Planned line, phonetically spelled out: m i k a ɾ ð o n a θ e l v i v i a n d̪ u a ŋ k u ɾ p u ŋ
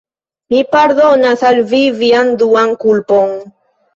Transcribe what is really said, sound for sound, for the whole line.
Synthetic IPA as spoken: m i p a ɾ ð o n a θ a l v i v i a n d̪ u a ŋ k u l p o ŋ